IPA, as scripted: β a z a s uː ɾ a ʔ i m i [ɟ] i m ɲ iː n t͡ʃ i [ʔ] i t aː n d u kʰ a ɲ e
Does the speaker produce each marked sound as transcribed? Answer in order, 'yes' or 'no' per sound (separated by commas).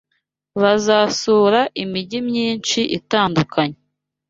yes, yes